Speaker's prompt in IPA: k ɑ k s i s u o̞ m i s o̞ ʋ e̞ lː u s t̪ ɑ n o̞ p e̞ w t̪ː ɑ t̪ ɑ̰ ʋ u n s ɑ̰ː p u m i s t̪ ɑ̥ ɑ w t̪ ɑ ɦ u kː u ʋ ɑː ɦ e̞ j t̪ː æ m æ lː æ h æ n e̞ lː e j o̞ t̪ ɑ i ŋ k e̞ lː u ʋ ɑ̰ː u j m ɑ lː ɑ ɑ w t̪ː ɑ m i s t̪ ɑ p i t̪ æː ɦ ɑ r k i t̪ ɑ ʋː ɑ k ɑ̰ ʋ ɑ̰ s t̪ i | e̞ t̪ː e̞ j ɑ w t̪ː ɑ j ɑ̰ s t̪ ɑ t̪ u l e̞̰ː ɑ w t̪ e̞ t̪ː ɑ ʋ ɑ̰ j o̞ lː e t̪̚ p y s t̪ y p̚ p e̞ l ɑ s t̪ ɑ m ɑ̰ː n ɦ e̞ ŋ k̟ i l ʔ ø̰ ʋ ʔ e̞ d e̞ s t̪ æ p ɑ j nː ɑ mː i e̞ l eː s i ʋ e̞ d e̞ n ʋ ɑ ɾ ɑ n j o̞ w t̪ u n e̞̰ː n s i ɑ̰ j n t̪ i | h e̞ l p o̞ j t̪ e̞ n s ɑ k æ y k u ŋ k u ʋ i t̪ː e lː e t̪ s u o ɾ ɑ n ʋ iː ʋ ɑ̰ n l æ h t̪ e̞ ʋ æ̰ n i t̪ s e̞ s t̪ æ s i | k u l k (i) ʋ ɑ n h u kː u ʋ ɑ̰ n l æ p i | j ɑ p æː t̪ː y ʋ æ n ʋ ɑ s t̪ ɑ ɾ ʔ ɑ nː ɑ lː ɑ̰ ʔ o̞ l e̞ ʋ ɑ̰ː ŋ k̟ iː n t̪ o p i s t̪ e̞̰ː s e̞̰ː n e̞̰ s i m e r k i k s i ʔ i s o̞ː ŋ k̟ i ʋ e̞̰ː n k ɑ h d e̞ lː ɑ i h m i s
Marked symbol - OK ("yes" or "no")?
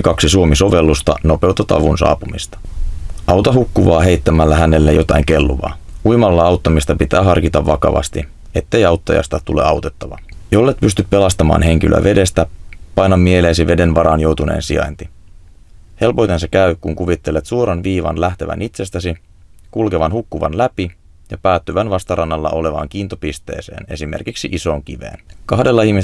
no